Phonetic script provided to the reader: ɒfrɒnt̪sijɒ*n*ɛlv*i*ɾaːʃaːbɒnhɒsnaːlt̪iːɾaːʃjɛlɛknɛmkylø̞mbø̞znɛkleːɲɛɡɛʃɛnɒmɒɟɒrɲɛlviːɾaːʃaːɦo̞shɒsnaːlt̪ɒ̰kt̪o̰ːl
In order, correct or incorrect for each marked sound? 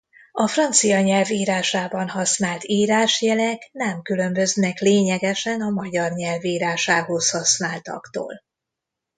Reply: incorrect: ɲ, incorrect: iː

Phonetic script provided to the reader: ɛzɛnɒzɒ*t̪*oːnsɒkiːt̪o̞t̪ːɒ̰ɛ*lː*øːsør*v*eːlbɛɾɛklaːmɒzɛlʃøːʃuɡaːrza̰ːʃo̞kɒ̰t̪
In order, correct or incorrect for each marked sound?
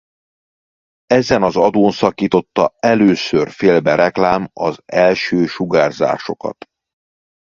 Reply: incorrect: d̪, incorrect: l, incorrect: f

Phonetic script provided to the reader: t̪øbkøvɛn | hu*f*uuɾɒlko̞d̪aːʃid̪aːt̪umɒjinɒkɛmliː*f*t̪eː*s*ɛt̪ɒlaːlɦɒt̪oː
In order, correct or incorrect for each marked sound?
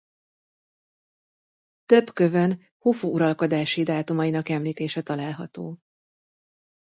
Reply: correct, incorrect: none, incorrect: ʃ

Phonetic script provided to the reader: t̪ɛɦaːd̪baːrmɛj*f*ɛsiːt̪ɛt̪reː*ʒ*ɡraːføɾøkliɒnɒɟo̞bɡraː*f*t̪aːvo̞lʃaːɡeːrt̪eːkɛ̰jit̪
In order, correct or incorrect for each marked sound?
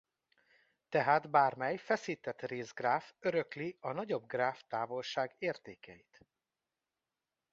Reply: correct, incorrect: z, correct

